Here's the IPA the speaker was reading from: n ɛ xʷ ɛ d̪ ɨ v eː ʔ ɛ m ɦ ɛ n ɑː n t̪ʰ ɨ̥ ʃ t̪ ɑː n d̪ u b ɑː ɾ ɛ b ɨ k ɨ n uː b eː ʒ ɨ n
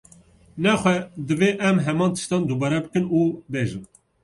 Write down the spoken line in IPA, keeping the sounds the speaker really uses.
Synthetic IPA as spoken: n ɛ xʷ ɛ d̪ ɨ v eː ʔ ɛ m ɦ ɛ m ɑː n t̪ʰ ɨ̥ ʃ t̪ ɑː n d̪ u b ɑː ɾ ɛ b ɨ k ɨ n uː b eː ʒ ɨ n